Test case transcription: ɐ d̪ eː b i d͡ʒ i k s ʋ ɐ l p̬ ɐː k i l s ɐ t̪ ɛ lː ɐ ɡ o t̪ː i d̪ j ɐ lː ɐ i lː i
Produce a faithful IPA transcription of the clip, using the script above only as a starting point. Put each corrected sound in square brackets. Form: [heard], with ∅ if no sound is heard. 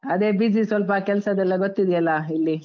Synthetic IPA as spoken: ɐ d̪ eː b i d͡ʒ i [∅] s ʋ ɐ l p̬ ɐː k [ɛ] l s ɐ [d̪] ɛ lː ɐ ɡ o t̪ː i d̪ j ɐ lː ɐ i lː i